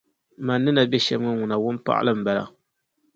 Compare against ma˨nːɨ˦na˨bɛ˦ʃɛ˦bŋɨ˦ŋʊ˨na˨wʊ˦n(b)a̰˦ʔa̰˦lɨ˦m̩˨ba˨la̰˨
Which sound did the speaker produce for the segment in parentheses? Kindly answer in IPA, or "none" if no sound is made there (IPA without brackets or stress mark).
p